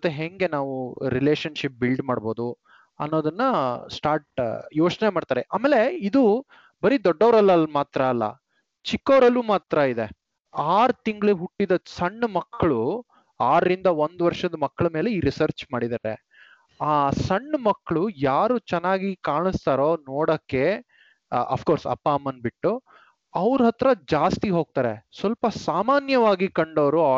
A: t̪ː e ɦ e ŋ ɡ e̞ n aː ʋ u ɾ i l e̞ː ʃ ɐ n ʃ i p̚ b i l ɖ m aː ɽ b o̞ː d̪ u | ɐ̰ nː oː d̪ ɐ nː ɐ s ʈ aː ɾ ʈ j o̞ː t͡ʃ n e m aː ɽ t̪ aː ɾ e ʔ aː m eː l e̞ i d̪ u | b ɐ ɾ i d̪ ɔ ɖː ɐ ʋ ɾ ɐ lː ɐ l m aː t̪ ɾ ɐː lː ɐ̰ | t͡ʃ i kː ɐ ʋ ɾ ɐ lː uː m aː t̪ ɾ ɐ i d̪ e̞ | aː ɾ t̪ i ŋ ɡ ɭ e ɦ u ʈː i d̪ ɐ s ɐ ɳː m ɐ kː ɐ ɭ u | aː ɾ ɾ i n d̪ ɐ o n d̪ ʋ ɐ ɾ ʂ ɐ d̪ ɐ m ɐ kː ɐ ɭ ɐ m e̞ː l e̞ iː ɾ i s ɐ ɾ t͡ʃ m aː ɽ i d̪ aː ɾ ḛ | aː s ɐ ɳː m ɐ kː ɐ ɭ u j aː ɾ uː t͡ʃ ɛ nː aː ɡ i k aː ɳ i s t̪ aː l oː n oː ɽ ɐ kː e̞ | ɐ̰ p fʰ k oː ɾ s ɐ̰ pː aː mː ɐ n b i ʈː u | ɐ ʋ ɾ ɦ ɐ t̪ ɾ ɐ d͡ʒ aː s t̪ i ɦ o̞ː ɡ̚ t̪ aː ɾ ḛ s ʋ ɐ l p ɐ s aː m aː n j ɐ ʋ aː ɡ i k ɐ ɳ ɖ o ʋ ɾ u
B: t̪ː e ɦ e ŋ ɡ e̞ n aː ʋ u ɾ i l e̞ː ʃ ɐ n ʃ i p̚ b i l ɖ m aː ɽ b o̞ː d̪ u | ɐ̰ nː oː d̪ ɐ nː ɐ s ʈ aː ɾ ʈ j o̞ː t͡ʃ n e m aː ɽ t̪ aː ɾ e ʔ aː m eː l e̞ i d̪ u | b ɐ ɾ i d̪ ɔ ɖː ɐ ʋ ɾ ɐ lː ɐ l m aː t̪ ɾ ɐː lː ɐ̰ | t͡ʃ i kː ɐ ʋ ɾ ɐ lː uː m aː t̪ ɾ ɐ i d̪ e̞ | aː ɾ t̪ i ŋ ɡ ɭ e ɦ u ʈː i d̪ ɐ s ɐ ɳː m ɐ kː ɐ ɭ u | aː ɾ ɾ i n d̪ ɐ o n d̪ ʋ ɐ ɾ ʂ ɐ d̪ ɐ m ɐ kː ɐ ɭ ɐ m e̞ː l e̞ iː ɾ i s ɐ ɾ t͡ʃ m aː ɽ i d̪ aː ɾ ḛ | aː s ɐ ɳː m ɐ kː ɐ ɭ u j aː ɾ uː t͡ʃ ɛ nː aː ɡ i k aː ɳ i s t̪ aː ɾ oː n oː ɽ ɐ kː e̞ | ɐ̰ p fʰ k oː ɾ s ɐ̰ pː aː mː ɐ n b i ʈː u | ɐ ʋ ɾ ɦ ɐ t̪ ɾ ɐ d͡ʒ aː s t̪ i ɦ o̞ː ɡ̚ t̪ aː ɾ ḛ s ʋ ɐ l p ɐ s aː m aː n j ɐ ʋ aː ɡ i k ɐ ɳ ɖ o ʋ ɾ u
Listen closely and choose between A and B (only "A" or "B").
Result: B